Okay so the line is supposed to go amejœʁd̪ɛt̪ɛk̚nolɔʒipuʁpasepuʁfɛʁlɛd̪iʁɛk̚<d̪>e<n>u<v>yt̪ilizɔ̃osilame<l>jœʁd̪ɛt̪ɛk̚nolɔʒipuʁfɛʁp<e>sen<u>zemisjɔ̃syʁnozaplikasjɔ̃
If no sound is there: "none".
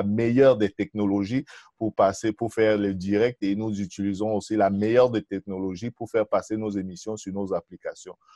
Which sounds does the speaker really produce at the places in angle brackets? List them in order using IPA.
t̪, n, z, none, a, o

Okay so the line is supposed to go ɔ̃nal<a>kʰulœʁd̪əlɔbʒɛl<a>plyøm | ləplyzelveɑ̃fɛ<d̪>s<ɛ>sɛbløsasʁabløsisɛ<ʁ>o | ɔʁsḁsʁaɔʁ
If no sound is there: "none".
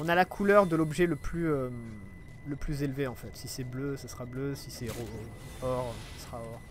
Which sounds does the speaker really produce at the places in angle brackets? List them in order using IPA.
a, ə, t̪, i, ʁ

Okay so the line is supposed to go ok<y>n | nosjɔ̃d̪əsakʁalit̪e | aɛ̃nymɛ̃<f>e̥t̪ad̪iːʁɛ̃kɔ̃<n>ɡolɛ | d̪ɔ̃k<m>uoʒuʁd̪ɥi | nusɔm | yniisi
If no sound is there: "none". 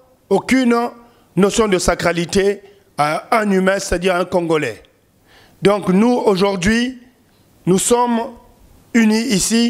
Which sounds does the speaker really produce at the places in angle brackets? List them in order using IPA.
y, s, ŋ, n

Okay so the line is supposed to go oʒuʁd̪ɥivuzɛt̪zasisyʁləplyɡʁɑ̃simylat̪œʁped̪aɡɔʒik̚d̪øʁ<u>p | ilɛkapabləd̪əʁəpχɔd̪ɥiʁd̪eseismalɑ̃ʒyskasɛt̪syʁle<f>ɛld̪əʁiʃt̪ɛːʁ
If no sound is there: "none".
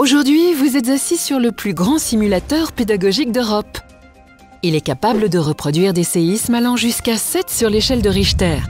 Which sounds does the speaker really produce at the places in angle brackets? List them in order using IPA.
ɔ, ʃ

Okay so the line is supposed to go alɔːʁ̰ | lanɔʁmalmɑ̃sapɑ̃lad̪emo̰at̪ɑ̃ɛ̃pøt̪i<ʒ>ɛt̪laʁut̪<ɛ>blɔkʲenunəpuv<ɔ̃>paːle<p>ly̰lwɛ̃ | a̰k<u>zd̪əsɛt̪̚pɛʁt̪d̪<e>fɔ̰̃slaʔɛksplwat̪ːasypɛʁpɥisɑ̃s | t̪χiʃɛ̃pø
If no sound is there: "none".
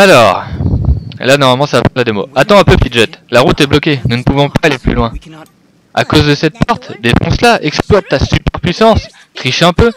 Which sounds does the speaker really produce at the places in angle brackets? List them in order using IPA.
ʒ, ɛ, ɔ̃, p, o, e

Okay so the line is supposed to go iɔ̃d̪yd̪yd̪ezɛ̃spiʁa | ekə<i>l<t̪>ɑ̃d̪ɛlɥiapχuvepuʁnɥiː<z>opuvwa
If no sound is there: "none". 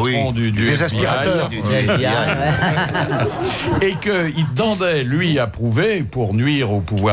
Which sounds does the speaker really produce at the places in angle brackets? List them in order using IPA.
i, t̪, ʁ

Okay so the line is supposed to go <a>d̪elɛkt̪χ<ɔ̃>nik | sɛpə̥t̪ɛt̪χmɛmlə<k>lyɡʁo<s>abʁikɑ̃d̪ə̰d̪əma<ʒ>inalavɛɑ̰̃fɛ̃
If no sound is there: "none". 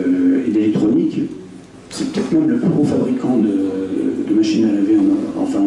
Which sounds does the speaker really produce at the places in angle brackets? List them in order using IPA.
e, ɔ, p, f, ʃ

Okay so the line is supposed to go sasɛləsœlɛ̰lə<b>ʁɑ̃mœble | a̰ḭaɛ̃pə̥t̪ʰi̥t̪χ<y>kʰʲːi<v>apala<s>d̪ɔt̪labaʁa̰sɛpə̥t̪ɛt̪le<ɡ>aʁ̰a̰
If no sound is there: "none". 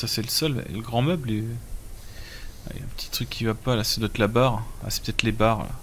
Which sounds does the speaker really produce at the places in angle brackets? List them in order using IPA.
ɡ, y, v, s, b

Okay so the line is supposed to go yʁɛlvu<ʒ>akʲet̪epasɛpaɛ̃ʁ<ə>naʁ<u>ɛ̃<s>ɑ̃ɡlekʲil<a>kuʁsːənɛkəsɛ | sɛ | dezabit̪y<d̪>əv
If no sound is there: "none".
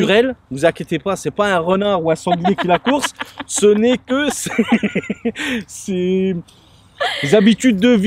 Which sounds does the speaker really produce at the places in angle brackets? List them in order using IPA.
z, ə, u, s, a, d̪ː

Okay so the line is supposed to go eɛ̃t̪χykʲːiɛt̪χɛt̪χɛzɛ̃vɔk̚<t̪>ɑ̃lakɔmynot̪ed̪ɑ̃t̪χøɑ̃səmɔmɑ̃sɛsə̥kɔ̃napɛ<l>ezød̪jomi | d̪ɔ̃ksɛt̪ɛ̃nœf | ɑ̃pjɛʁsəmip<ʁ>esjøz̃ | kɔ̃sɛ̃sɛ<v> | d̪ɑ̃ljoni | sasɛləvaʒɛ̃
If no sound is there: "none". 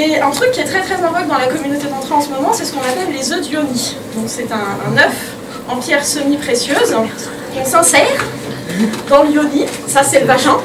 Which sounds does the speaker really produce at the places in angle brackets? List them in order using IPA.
d̪, lː, χ, ʁ

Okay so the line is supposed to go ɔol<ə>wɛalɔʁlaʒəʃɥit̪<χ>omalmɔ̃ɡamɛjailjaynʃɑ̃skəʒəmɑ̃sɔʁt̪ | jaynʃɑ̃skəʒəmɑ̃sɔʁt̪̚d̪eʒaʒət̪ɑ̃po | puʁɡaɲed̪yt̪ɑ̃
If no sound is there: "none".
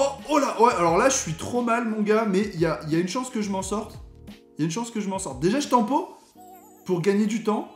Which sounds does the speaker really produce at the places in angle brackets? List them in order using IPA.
a, χ

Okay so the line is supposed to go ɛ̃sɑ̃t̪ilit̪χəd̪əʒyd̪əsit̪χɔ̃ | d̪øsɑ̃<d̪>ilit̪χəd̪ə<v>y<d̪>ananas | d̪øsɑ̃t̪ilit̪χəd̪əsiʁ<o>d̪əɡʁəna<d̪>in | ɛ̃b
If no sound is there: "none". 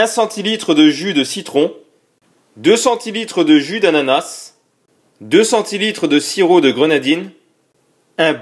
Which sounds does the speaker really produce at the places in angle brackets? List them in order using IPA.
t̪, ʒ, d̪, o, d̪

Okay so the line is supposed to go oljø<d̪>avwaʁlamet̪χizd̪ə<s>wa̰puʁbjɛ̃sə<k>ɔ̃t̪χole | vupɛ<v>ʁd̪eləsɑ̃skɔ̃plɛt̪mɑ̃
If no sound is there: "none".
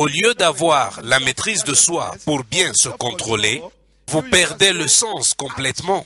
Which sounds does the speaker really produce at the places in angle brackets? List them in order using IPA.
d̪, s, k, none

